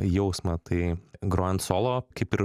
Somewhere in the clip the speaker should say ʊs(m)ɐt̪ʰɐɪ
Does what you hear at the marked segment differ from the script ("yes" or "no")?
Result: no